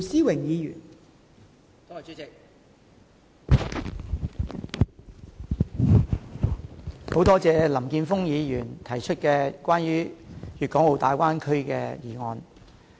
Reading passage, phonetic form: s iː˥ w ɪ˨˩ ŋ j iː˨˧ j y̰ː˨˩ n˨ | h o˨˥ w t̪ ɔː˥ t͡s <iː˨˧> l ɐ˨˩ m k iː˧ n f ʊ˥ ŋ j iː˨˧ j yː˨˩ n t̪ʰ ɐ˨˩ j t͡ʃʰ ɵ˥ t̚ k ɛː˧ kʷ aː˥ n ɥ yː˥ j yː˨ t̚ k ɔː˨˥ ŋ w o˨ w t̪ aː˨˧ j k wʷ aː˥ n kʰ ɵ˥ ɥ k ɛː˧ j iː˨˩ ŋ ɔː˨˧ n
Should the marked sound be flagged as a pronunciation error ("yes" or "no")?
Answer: yes